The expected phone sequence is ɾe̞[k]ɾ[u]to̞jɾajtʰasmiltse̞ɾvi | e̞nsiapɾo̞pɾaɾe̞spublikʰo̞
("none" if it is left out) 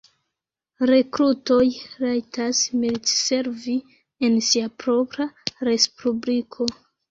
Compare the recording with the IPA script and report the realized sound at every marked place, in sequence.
k, u

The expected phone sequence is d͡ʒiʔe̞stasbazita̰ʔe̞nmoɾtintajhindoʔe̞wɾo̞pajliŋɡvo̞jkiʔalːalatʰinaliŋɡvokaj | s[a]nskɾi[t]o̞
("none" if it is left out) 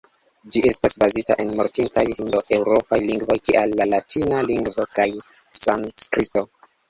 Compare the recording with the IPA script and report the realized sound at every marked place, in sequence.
a, t

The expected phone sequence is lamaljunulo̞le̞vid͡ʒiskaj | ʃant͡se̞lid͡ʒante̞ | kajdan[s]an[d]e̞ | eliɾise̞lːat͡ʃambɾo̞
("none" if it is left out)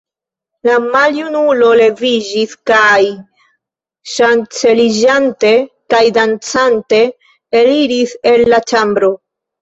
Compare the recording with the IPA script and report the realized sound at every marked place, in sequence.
t͡s, t

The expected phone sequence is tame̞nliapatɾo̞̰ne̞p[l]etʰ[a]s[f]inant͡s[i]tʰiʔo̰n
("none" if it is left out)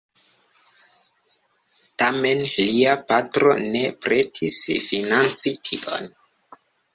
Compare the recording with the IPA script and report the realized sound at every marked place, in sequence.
ɾ, i, f, i

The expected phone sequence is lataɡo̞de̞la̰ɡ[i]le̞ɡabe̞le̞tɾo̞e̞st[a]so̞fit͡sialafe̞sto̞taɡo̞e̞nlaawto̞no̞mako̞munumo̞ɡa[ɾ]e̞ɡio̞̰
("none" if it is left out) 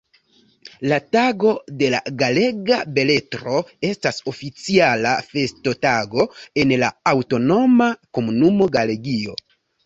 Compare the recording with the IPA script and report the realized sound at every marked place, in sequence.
a, a, l

